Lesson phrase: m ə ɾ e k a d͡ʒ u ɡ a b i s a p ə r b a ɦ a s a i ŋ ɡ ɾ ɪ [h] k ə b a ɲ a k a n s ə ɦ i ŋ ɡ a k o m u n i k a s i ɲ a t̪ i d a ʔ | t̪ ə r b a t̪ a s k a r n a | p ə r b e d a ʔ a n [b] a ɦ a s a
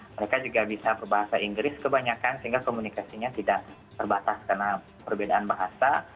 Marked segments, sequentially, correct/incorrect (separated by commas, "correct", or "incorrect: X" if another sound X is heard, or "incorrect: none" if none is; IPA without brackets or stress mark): incorrect: s, correct